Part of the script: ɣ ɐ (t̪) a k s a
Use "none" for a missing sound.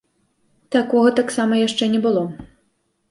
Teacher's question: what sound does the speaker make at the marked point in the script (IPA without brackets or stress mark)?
t̪